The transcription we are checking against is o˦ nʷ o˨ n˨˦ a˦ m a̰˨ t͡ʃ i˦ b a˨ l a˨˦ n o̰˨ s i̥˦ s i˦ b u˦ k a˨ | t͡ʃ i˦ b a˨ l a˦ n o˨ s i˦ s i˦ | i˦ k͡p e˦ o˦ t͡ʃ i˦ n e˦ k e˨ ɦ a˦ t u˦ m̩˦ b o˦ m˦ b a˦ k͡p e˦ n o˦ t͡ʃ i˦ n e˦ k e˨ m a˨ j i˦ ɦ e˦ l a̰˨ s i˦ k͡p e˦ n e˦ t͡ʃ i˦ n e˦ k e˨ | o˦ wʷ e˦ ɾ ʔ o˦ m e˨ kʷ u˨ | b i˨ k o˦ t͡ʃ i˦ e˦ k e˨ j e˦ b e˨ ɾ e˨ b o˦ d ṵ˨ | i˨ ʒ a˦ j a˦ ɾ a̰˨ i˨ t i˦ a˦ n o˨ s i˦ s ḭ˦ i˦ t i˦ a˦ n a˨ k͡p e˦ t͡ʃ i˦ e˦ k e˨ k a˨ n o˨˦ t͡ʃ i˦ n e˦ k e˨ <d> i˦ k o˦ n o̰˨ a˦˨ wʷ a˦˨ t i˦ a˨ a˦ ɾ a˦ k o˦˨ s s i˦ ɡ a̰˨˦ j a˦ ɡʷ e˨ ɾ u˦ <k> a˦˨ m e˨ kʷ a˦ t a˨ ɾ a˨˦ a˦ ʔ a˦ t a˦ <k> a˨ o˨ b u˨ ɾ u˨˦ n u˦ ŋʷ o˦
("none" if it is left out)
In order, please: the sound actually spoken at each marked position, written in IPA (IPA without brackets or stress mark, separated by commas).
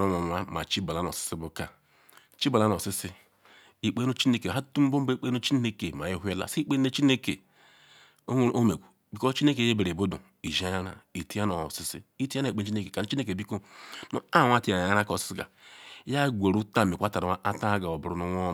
b, t, ɡ